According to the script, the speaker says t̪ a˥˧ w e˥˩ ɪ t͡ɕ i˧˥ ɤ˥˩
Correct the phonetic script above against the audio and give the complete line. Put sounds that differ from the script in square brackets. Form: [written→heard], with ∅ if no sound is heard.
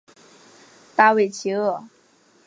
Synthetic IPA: t̪ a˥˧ w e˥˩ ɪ [t͡ɕ→t͡ɕʰ] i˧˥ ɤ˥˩